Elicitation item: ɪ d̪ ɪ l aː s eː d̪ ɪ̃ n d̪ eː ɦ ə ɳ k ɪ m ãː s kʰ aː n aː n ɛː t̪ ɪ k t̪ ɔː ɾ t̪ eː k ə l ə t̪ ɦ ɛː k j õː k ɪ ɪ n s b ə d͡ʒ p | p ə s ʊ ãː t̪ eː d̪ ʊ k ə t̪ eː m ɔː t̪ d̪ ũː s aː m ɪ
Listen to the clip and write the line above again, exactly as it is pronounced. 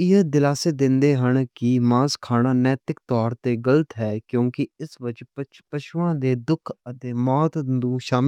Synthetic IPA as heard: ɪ d̪ ɪ l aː s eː d̪ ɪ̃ n d̪ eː ɦ ə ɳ k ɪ m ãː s kʰ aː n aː n ɛː t̪ ɪ k t̪ ɔː ɾ t̪ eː ɡ ə l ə t̪ ɦ ɛː k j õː k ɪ ɪ s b ə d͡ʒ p | p ə ʃ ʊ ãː d̪ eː d̪ ʊ kʰ ə t̪ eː m ɔː t̪ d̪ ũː ʃ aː m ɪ